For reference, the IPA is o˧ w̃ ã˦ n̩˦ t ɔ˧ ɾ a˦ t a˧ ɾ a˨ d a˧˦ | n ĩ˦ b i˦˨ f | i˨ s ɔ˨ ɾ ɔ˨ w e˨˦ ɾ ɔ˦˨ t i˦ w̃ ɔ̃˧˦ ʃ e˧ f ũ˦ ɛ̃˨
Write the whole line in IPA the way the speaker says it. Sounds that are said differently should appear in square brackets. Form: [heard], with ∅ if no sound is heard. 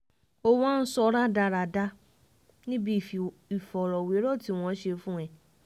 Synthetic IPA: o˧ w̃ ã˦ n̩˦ [s] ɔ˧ ɾ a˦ [d] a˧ ɾ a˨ d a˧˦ | n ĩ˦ b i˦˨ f | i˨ [f] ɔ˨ ɾ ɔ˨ w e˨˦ ɾ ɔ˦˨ t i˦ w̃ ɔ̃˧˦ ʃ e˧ f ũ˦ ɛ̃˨